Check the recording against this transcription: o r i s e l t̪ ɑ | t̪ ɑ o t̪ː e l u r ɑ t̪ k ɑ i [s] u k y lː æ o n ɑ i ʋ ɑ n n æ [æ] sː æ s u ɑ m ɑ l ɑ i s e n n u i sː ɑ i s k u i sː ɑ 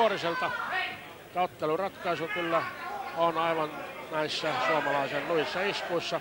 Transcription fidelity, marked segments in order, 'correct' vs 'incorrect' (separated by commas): correct, incorrect